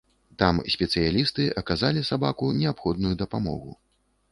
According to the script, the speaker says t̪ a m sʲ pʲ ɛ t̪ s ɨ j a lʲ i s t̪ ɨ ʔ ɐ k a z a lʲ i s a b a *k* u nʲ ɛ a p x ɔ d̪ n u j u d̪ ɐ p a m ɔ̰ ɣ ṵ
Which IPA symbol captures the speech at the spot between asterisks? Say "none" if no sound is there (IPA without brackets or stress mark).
k